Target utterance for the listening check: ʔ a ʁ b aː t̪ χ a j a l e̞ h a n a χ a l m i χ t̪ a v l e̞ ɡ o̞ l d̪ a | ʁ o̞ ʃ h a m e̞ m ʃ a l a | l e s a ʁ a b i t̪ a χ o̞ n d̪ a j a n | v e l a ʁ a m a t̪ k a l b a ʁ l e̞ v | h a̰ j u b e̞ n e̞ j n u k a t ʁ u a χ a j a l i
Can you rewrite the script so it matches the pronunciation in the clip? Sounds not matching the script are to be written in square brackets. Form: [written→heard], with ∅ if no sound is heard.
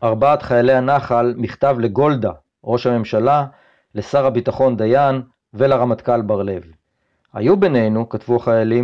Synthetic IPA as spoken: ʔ a ʁ b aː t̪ χ a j a l e̞ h a n a χ a l m i χ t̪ a v l e̞ ɡ o̞ l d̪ a | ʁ o̞ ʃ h a m e̞ m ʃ a l a | l e s a ʁ a b i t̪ a χ o̞ n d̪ a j a n | v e l a ʁ a m a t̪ k a l b a ʁ l e̞ v | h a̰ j u b e̞ n e̞ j n u k a t [ʁ→v] u a χ a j a l i